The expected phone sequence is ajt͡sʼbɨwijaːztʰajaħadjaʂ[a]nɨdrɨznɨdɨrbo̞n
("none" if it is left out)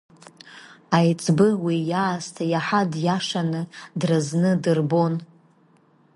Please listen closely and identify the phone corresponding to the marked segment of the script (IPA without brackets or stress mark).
a